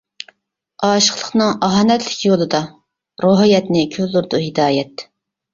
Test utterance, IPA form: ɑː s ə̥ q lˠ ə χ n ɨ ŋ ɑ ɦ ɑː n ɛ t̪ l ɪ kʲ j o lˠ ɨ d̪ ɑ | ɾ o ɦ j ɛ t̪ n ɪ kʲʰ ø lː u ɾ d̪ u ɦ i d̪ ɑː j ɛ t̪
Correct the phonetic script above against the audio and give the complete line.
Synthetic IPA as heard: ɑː ʃ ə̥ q lˠ ə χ n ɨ ŋ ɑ ɦ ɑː n ɛ t̪ l ɪ kʲ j o lˠ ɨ d̪ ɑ | ɾ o ɦ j ɛ t̪ n ɪ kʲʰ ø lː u ɾ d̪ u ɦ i d̪ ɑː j ɛ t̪